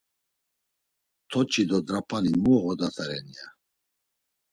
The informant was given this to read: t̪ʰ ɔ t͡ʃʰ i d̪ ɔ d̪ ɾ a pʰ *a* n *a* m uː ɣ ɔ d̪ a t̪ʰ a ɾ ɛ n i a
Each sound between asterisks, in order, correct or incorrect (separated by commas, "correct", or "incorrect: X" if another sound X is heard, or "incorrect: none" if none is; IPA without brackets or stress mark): correct, incorrect: i